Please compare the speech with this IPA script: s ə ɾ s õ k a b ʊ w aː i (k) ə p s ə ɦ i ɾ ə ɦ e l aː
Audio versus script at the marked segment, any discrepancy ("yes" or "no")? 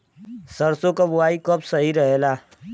no